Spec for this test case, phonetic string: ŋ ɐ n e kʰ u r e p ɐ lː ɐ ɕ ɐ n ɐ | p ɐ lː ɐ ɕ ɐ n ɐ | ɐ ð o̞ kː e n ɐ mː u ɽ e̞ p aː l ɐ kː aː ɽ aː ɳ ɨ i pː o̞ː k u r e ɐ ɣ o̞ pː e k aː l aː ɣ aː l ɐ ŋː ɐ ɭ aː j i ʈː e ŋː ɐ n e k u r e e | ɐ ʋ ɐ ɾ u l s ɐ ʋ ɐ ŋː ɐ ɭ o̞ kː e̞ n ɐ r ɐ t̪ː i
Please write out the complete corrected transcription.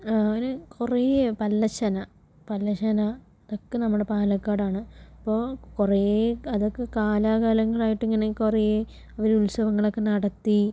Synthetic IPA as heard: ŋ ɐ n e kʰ u r e p ɐ lː ɐ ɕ ɐ n ɐ | p ɐ lː ɐ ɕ ɐ n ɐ | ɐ ð o̞ kː e n ɐ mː u ɽ e̞ p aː l ɐ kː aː ɽ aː ɳ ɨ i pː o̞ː k u r e ɐ ð o̞ kː e k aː l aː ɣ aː l ɐ ŋː ɐ ɭ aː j i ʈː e ŋː ɐ n e k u r e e | ɐ ʋ ɐ ɾ u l s ɐ ʋ ɐ ŋː ɐ ɭ o̞ kː e̞ n ɐ ɽ ɐ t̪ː i